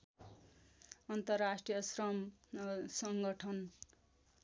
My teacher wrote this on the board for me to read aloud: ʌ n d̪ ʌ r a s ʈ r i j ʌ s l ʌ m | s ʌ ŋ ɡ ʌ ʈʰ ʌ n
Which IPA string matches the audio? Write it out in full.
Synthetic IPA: ʌ n t̪ ʌ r a s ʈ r i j ʌ s r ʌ m | s ʌ ŋ ɡ ʌ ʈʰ ʌ n